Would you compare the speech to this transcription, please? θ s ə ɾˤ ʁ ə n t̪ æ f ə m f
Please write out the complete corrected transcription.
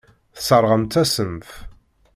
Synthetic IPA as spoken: θ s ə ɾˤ ʁ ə m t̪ æ s ə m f